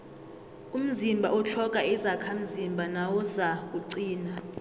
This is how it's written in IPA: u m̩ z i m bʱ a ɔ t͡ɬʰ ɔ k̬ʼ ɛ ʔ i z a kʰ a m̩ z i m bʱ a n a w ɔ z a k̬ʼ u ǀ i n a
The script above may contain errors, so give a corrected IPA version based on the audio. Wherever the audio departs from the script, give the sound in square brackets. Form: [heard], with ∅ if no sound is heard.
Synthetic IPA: u m̩ z i m bʱ a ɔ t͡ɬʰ ɔ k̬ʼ [a] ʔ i z a kʰ a m̩ z i m bʱ a n a w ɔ z a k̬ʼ u ǀ [iː] n a